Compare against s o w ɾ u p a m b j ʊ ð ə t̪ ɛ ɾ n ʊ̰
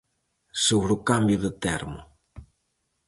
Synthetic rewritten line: s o β ɾ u k a m b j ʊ ð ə t̪ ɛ ɾ m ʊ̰